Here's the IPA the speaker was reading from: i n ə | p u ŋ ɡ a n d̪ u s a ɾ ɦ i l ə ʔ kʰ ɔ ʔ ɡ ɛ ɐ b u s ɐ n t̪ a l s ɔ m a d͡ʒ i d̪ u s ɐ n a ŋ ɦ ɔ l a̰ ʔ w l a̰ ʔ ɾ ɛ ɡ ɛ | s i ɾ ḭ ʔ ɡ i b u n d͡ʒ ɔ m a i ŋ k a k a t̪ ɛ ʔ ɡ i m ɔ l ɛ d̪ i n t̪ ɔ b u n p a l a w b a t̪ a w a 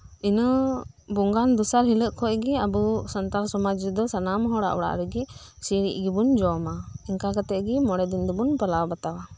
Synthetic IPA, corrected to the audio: i n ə | b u ŋ ɡ a n d̪ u s a ɾ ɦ i l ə ʔ kʰ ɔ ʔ ɡ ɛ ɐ b u s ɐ n t̪ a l s ɔ m a d͡ʒ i d̪ ɔ s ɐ n a m ɦ ɔ ɽ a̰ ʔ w ɽ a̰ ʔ ɾ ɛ ɡ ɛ | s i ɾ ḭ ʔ ɡ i b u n d͡ʒ ɔ m a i ŋ k a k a t̪ ɛ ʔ ɡ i m ɔ ɽ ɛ d̪ i n d̪ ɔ b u n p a l a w b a t̪ a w a

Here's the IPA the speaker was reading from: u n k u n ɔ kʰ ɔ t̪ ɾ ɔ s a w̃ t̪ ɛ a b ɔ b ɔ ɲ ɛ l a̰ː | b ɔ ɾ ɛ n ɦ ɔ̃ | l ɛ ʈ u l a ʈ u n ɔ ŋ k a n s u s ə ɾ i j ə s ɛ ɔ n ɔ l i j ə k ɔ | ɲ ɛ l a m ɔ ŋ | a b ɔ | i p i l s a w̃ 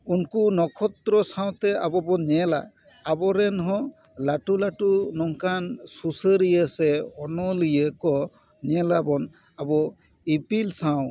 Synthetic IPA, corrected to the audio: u n k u n ɔ kʰ ɔ t̪ ɾ ɔ s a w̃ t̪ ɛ a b ɔ b ɔ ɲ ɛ l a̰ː | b ɔ ɾ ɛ n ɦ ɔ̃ | l a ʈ u l a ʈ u n ɔ ŋ k a n s u s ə ɾ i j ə s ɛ ɔ n ɔ l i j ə k ɔ | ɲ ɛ l a b ɔ n | a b ɔ | i p i l s a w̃

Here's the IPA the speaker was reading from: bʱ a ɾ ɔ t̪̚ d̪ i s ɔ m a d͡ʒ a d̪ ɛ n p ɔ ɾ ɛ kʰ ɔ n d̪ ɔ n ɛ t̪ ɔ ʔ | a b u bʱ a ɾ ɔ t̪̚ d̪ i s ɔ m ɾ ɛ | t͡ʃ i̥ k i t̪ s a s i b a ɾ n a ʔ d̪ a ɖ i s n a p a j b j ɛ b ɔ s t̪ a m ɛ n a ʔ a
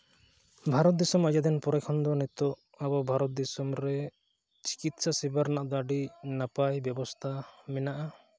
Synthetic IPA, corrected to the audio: bʱ a ɾ ɔ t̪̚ d̪ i s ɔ m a d͡ʒ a d̪ ɛ n p ɔ ɾ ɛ kʰ ɔ n d̪ ɔ n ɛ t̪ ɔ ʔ | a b ɔ bʱ a ɾ ɔ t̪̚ d̪ i s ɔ m ɾ ɛ | t͡ʃ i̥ k i t̪ s a s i b a ɾ n a ʔ d̪ a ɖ i n a p a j b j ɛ b ɔ s t̪ʰ a m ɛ n a ʔ a

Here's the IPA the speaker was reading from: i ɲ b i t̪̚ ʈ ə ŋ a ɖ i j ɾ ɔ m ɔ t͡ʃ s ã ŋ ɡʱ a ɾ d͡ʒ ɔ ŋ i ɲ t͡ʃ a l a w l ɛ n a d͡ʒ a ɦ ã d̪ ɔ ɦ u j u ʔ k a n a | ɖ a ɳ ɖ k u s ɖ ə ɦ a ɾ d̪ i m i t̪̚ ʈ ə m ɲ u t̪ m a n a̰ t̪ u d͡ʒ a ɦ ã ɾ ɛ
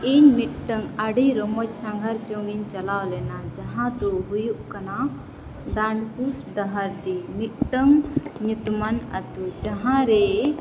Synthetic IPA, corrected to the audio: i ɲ m i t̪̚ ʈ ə ŋ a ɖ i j ɾ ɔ m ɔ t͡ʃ s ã ŋ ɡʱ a ɾ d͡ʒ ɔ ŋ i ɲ t͡ʃ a l a w l ɛ n a d͡ʒ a ɦ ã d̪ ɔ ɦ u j u ʔ k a n a | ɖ a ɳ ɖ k u s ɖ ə ɦ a ɾ d̪ i m i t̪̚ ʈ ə ŋ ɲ u t̪ m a n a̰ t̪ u d͡ʒ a ɦ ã ɾ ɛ

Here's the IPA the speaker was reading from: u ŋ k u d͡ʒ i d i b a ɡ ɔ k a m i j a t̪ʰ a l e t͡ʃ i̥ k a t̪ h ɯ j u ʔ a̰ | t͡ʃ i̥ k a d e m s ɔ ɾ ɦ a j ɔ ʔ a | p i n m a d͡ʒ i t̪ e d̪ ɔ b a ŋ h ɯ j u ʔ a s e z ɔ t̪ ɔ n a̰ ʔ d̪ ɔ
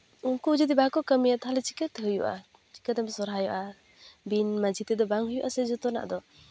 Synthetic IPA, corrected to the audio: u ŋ k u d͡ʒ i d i b a k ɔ k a m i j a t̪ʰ a l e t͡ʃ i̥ k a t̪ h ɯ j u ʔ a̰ | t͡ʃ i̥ k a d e m s ɔ ɾ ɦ a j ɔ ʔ a | b i n m a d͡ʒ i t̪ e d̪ ɔ b a ŋ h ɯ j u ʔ a s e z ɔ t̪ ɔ n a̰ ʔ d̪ ɔ

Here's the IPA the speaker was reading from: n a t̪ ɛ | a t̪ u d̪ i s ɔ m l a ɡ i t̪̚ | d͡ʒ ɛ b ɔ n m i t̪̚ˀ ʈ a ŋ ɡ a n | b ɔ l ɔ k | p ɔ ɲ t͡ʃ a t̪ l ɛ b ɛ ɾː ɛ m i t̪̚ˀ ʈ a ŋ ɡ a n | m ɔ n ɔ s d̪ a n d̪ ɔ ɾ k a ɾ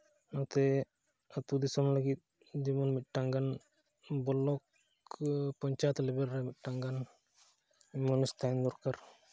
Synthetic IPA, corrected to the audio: n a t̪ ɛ | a t̪ u d̪ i s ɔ m l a ɡ i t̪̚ | d͡ʒ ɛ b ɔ n m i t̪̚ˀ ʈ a ŋ ɡ a n | b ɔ l ɔ k | p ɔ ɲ t͡ʃ a t̪ l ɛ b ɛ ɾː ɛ m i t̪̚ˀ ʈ a ŋ ɡ a n | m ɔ n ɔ s t̪ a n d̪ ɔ ɾ k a ɾ

